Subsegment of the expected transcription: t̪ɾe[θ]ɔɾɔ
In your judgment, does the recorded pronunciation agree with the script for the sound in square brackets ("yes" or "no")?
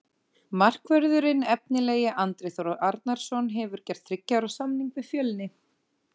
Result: yes